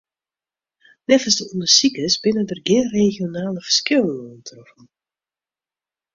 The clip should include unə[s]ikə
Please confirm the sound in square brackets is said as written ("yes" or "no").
yes